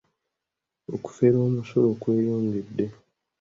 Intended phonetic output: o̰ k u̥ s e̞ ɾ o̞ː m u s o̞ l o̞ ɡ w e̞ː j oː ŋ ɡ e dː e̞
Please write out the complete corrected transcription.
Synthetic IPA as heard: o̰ k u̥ f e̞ ɾ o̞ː m u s o̞ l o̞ k w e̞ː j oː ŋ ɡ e dː e̞